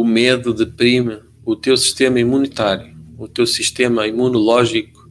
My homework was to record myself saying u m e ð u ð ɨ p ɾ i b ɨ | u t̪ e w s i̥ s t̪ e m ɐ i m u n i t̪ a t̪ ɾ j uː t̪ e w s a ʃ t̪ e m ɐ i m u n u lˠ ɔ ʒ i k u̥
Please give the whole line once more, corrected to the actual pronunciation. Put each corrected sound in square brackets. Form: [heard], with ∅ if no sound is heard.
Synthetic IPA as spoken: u m e ð u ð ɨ p ɾ i [m] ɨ | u t̪ e w s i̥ [ʃ] t̪ e m ɐ i m u n i t̪ a [∅] ɾ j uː t̪ e w s [i] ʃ t̪ e m ɐ i m u n u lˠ ɔ ʒ i k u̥